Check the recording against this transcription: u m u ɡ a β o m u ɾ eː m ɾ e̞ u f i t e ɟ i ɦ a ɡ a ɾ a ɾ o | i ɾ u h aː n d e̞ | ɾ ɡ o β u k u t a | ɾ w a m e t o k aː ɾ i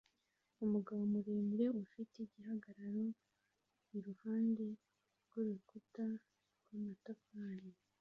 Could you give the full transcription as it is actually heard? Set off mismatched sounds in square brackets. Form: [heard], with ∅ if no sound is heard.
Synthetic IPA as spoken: u m u ɡ a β o m u ɾ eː m ɾ e̞ u f i t e ɟ i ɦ a ɡ a ɾ a ɾ o | i ɾ u h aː n d e̞ | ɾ ɡ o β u k u t a | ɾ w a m [a] t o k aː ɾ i